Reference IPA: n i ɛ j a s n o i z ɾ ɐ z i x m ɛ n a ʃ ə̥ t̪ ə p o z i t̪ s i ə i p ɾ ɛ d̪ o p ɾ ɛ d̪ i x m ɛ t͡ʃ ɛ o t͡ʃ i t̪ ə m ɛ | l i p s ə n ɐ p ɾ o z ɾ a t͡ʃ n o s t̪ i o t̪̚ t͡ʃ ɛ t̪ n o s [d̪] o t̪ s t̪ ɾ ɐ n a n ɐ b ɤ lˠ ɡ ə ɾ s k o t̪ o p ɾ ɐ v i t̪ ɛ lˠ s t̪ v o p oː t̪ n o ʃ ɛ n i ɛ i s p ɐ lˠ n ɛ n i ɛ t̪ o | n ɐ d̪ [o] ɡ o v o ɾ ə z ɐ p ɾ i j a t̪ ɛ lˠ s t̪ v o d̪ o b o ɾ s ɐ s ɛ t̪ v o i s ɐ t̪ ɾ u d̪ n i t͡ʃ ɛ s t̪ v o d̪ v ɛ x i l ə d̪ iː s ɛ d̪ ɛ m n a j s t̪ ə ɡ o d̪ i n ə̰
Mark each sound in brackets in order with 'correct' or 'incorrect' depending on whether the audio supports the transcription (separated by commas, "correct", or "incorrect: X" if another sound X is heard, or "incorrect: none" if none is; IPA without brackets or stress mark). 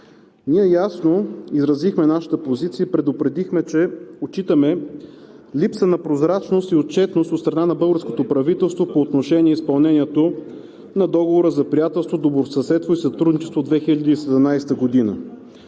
incorrect: t̪, incorrect: ɔ